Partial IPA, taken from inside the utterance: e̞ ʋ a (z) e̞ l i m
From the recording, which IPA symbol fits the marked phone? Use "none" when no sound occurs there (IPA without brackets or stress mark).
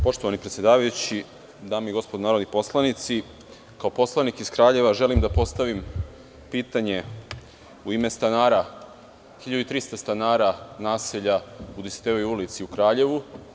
ʒ